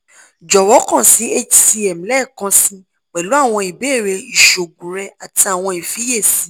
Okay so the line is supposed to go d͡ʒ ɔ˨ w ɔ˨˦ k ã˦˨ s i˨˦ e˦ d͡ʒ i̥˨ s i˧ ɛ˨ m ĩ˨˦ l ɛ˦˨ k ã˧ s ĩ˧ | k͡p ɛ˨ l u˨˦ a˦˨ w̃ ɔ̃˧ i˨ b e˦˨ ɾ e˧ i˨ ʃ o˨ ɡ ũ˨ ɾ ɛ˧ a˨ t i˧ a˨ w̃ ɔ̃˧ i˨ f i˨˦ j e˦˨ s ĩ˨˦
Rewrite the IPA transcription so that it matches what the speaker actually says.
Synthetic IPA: d͡ʒ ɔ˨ w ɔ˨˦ k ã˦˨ s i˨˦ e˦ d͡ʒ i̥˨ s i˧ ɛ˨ m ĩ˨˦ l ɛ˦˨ k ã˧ s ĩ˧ | k͡p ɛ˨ l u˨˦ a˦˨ w̃ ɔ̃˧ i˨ b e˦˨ ɾ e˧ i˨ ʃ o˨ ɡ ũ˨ ɾ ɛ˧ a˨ t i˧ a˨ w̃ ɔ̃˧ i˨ f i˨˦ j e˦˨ s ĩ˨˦